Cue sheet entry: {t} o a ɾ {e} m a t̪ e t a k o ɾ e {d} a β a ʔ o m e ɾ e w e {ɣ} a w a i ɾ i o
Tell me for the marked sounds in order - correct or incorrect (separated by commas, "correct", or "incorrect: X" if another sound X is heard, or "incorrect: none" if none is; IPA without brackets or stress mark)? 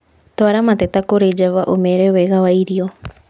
correct, incorrect: a, incorrect: d͡ʒ, correct